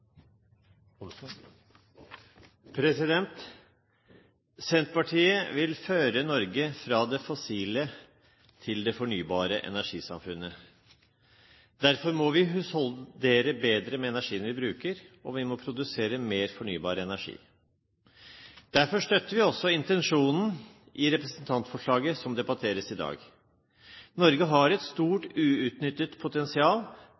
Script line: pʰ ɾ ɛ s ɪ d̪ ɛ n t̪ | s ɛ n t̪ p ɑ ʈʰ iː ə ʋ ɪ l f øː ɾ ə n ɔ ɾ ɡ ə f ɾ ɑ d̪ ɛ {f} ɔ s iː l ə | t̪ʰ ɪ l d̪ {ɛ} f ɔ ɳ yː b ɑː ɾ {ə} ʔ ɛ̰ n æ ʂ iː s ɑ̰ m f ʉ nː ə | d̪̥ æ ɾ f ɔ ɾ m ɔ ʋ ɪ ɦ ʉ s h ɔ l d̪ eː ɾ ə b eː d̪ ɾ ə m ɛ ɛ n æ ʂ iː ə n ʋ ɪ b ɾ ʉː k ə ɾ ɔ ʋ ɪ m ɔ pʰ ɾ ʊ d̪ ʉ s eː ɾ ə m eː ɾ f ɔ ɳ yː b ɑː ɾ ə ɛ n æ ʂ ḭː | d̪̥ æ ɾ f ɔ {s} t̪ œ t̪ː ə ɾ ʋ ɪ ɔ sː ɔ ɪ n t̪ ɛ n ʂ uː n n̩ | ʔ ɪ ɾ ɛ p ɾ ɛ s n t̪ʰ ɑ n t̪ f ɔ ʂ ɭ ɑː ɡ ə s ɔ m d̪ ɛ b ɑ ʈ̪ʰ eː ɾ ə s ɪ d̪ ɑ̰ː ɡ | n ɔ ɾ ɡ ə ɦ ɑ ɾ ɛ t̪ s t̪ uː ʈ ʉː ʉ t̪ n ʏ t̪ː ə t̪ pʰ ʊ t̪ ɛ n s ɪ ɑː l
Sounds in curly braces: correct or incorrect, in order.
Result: correct, correct, correct, incorrect

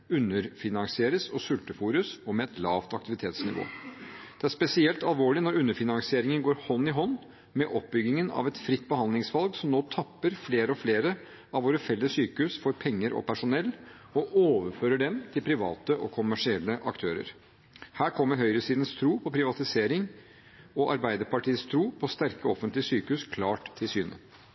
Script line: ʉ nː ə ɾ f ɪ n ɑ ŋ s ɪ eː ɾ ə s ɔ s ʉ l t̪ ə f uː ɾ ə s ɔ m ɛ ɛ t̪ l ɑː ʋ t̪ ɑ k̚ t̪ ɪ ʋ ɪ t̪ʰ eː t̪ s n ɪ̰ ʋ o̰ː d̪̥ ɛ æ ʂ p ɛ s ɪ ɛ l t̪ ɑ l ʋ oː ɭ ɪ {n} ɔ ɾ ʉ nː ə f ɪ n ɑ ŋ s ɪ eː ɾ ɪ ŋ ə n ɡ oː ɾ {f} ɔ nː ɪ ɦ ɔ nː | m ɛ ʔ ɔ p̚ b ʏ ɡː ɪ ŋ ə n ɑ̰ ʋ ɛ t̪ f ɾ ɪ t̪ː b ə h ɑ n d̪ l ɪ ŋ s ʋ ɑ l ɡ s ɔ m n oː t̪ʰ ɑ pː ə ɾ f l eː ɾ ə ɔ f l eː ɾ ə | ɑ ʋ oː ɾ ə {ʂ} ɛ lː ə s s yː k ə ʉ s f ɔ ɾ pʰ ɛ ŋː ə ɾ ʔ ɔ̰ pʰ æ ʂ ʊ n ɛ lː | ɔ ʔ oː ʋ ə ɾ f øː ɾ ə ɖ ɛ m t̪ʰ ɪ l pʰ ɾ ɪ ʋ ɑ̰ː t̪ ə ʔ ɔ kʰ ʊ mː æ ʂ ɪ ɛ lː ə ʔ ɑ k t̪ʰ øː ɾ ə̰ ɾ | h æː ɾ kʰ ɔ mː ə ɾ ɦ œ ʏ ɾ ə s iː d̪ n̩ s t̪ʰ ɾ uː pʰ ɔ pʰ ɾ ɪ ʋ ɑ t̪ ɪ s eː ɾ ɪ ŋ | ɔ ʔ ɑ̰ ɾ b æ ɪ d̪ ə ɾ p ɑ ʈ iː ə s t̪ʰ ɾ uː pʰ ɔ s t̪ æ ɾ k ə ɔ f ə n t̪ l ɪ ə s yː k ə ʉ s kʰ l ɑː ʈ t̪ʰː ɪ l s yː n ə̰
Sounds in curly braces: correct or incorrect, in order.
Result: correct, incorrect, incorrect

